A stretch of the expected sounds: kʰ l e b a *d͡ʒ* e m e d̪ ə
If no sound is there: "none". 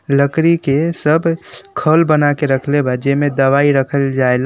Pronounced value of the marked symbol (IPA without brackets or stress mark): d͡ʒ